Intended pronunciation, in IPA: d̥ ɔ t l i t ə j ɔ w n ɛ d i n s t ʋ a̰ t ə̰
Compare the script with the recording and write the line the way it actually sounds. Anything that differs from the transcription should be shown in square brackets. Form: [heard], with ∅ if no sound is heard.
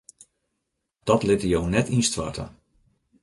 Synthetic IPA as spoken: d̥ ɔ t l [ɪ] t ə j [o] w n ɛ [t] i n s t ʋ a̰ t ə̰